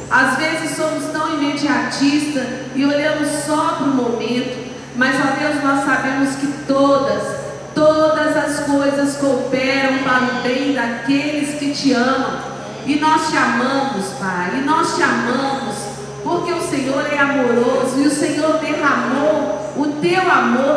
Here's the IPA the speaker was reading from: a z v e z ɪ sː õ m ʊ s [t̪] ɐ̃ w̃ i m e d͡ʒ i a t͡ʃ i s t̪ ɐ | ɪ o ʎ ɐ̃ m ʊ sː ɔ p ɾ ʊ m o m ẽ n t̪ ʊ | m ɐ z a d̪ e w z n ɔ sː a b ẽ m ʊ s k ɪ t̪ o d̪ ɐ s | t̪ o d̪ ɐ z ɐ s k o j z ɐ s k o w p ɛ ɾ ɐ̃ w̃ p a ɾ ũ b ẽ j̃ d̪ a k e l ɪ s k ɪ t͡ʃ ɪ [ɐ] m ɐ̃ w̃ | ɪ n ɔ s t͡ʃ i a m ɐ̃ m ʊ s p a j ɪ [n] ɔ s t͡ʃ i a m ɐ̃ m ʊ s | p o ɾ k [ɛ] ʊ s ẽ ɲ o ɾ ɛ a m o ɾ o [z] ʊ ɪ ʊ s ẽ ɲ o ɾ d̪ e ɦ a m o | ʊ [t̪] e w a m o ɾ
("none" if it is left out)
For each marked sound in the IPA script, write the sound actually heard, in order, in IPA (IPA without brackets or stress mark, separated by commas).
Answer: t̪, ɐ̃, n, e, z, t̪